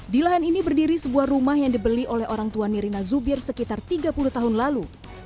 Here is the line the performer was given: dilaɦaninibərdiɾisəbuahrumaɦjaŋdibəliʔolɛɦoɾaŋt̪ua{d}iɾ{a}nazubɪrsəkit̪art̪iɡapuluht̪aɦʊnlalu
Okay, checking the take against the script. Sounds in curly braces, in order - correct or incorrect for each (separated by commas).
incorrect, incorrect